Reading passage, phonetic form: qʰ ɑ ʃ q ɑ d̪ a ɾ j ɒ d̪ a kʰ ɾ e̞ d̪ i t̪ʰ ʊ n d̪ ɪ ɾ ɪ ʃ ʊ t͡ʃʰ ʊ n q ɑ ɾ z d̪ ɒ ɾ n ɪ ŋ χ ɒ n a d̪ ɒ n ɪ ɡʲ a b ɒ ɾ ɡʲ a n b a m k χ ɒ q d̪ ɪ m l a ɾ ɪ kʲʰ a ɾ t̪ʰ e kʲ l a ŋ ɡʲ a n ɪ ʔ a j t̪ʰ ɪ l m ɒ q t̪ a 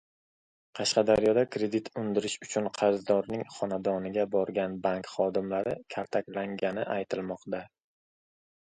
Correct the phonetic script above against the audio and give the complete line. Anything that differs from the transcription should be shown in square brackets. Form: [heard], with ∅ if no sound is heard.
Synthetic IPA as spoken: qʰ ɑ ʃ q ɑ d̪ a ɾ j ɒ d̪ a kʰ ɾ e̞ d̪ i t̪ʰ ʊ n d̪ ɪ ɾ ɪ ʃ ʊ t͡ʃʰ ʊ n [qʰ] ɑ ɾ z d̪ ɒ ɾ n ɪ ŋ χ ɒ n a d̪ ɒ n ɪ ɡʲ a b ɒ ɾ ɡʲ a n b a [ŋ] k χ ɒ [∅] d̪ ɪ m l a ɾ ɪ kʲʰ a ɾ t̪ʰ [a] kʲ l a ŋ ɡʲ a n ɪ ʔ a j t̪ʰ ɪ l m ɒ q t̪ a